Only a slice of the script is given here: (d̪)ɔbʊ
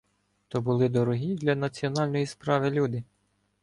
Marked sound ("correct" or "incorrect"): incorrect